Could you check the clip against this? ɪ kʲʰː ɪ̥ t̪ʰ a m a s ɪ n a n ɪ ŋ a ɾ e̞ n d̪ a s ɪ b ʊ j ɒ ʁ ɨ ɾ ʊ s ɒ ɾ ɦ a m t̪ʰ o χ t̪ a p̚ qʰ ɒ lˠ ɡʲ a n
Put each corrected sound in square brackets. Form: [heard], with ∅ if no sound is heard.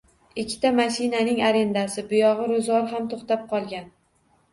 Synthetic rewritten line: ɪ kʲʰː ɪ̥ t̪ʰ a m a [ʃ] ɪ n a n ɪ ŋ a ɾ e̞ n d̪ a s ɪ b ʊ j ɒ ʁ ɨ ɾ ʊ [z] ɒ ɾ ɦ a m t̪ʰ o χ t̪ a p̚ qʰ ɒ lˠ ɡʲ a n